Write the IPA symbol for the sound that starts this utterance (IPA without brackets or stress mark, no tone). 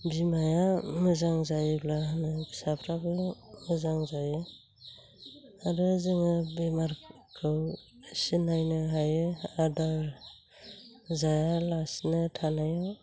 b